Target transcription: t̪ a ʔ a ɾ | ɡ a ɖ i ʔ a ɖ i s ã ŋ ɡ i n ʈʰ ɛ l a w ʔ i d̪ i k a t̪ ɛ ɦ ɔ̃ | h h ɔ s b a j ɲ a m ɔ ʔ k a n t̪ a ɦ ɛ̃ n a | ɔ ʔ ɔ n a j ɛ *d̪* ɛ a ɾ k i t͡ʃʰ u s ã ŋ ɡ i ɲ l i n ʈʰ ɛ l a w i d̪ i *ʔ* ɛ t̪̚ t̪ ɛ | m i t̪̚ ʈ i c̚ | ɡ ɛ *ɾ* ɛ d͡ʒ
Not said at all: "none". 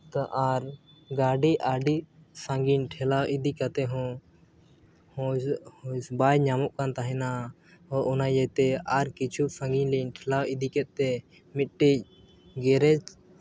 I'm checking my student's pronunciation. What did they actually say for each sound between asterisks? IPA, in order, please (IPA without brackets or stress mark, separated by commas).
t̪, k, ɾ